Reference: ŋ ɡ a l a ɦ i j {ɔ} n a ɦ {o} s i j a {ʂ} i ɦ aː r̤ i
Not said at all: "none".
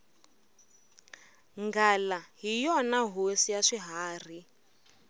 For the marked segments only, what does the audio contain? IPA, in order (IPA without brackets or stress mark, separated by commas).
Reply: ɔ, o, ʂ